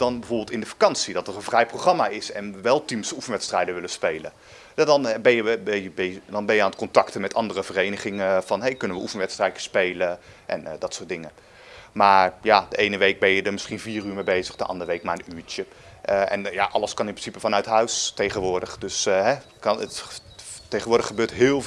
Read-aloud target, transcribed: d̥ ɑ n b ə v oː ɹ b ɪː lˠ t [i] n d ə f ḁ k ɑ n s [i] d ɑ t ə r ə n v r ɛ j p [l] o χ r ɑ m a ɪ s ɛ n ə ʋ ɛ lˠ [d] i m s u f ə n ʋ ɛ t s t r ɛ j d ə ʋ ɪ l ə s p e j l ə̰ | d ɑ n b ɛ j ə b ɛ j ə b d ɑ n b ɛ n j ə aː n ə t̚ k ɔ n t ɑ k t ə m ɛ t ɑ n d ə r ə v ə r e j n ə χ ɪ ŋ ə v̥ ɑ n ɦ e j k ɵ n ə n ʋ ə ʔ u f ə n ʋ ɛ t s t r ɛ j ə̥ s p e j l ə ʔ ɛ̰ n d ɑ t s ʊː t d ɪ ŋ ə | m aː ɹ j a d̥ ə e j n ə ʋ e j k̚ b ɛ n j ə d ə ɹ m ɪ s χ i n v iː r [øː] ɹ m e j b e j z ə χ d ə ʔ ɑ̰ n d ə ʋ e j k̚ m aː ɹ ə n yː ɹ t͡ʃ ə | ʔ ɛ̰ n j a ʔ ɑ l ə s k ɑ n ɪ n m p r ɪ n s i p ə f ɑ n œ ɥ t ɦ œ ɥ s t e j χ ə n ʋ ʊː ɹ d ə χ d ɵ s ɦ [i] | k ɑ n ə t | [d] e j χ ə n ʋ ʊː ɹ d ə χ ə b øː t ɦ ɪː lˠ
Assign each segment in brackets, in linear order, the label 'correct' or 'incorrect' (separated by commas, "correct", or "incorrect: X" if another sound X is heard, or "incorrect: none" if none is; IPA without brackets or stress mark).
incorrect: ɪ, correct, incorrect: r, incorrect: t, incorrect: yː, incorrect: ɛ, incorrect: t